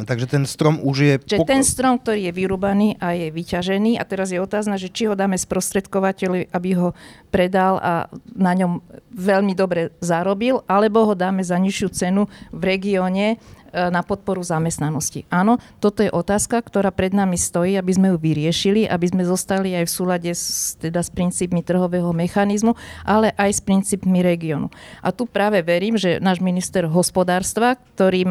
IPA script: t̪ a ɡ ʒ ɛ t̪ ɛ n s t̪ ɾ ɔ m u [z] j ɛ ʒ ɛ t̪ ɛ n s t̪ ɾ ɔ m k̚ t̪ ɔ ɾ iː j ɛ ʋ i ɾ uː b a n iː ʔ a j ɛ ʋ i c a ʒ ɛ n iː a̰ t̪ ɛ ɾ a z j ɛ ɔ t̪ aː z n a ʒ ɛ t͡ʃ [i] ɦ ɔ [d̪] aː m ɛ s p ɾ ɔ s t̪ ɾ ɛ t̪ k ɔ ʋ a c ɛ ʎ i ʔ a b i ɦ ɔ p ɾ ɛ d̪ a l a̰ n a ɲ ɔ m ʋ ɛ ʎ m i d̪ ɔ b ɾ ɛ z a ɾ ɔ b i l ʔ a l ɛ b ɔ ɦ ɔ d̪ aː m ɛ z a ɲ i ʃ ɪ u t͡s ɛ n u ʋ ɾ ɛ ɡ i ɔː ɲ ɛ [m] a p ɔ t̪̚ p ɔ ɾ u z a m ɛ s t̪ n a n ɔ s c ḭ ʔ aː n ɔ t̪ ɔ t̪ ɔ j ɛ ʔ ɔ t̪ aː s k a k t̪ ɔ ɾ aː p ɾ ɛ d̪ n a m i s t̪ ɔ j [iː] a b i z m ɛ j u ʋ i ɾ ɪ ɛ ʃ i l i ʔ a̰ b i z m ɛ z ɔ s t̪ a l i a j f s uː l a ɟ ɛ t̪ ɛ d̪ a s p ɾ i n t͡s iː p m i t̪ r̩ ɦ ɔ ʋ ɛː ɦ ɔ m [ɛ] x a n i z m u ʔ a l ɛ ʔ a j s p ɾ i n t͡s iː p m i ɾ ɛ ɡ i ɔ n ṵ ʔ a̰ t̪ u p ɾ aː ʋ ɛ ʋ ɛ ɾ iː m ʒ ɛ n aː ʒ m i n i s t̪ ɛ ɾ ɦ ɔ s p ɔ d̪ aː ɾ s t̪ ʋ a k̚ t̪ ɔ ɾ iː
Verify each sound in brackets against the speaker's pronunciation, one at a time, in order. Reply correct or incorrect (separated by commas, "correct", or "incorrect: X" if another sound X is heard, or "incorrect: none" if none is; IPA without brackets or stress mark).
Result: incorrect: ʒ, correct, correct, incorrect: n, correct, correct